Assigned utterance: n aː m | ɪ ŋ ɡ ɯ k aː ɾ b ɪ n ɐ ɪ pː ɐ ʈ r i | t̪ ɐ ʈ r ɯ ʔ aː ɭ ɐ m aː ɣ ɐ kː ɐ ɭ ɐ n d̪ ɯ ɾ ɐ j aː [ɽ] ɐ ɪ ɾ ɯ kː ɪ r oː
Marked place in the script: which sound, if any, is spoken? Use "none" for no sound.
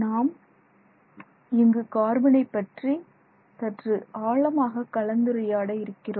ɽ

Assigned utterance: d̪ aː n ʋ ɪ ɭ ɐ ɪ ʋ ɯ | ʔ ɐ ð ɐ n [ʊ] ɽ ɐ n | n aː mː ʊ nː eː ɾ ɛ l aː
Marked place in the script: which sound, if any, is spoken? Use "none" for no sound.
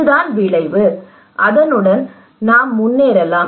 ɯ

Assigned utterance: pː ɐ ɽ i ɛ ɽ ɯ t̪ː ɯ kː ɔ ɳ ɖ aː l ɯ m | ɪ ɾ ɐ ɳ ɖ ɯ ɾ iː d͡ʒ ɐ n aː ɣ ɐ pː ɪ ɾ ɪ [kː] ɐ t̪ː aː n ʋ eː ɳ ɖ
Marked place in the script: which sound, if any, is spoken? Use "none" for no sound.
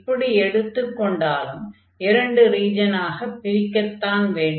kː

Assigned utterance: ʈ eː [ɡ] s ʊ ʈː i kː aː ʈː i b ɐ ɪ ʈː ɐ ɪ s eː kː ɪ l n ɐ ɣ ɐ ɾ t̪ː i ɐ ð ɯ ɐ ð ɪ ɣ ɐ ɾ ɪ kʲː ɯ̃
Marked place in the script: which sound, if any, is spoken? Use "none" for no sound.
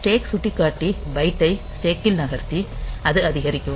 k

